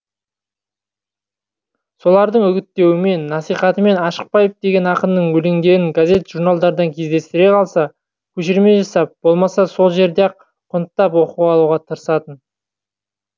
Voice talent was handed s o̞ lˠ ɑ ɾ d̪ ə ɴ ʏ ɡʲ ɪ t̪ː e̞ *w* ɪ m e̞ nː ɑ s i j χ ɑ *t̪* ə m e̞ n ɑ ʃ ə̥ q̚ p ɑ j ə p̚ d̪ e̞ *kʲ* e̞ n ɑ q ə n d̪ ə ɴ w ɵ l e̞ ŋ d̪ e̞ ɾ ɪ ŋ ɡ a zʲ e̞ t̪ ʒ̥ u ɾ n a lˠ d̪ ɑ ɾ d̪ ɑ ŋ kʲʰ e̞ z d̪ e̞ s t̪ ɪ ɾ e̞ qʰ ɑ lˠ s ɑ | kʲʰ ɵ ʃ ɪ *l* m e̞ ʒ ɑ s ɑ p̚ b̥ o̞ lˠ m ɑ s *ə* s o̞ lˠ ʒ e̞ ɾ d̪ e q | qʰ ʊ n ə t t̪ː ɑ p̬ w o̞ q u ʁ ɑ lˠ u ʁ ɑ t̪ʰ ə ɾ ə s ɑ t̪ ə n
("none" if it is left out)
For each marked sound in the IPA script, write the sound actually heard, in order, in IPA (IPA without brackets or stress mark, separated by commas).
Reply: w, t̪, ɡʲ, ɾ, ɑ